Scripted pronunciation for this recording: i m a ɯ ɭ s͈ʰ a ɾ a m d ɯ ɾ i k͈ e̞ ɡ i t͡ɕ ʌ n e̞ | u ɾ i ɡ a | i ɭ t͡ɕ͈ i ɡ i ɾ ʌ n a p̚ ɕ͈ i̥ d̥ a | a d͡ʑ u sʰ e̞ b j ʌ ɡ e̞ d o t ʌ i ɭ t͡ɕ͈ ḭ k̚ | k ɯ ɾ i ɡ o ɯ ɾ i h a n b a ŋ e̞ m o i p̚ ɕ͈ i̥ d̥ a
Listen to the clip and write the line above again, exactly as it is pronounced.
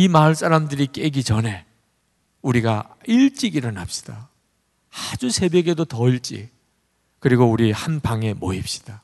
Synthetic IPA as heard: i m a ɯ ɭ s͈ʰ a ɾ a m d ɯ ɾ i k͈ e̞ ɡ i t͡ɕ ʌ n e̞ | u ɾ i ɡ a | i ɭ t͡ɕ͈ i ɡ i ɾ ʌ n a p̚ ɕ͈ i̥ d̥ a | a d͡ʑ u sʰ e̞ b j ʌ ɡ e̞ d o t ʌ i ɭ t͡ɕ͈ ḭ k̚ | k ɯ ɾ i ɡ o u ɾ i h a n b a ŋ e̞ m o i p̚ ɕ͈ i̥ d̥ a